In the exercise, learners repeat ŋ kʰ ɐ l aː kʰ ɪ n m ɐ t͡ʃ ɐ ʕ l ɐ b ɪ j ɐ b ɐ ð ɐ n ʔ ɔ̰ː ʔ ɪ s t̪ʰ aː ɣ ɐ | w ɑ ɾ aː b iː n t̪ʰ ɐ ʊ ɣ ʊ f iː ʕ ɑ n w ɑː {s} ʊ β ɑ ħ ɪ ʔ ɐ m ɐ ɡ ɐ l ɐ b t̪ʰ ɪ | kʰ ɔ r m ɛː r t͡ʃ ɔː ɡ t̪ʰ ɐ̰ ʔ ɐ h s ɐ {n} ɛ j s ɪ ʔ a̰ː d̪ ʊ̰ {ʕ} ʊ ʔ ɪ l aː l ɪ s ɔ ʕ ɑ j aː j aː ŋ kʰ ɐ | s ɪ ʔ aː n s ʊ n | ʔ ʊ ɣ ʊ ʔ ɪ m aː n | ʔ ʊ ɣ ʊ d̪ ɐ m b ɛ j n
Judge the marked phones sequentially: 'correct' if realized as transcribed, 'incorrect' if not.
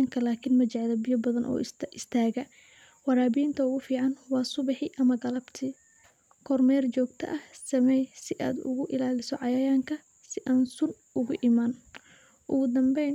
correct, incorrect: m, incorrect: ɣ

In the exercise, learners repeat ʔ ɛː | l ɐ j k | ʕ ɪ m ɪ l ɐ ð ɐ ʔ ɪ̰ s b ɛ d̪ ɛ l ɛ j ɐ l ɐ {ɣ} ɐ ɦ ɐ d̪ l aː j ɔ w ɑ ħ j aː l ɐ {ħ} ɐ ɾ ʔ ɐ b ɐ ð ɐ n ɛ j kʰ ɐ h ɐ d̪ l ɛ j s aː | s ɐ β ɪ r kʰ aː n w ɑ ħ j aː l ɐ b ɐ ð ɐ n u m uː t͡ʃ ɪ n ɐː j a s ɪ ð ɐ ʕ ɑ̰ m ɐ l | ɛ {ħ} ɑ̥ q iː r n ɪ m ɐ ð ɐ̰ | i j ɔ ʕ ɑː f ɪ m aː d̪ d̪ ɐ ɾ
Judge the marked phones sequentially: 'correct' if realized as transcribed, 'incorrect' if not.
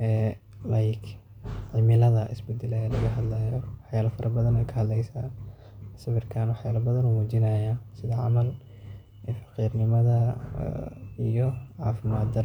correct, incorrect: f, incorrect: f

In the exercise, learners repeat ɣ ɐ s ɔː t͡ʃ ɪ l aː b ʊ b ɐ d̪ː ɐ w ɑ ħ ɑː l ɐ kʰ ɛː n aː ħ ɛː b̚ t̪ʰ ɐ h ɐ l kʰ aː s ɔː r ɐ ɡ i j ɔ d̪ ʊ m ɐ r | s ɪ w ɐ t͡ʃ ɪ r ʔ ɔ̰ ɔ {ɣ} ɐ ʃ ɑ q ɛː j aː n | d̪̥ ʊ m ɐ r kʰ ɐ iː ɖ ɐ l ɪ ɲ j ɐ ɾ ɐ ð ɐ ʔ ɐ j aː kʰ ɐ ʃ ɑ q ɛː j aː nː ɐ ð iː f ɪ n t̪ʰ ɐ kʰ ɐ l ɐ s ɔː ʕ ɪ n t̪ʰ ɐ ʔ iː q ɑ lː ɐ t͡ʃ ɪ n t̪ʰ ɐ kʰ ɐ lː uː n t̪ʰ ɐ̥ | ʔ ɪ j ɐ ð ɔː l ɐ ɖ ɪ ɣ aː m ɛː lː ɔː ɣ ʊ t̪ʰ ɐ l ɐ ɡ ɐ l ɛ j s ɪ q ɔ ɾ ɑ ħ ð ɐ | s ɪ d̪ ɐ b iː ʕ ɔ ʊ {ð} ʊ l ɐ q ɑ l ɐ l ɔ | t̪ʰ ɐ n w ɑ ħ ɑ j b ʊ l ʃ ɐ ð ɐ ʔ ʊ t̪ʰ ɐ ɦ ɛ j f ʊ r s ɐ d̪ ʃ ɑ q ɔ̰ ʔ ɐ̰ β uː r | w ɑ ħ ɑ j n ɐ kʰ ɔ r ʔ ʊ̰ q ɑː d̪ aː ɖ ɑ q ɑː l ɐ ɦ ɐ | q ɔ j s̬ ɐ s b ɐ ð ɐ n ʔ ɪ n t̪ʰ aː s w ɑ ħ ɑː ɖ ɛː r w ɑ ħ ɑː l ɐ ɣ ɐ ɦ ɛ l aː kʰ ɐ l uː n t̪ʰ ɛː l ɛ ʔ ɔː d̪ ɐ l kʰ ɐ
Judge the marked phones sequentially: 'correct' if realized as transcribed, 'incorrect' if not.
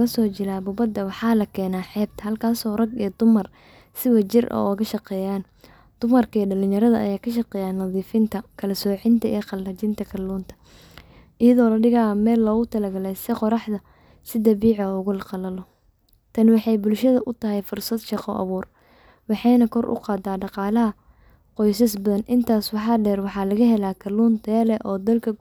correct, incorrect: ɣ

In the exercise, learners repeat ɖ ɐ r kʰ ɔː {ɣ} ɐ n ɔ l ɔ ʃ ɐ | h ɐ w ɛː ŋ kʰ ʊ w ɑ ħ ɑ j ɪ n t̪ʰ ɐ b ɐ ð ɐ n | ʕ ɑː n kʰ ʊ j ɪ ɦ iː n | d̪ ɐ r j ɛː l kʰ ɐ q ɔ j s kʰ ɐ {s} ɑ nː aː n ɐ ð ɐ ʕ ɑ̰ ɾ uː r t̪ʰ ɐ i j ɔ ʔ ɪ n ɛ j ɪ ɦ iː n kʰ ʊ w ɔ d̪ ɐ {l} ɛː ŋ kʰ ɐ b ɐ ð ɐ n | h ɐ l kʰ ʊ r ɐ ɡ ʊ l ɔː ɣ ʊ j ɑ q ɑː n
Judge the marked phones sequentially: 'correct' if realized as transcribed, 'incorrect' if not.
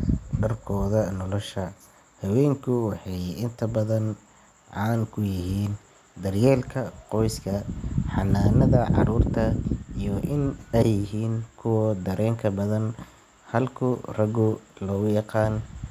incorrect: ð, incorrect: ħ, incorrect: ɾ

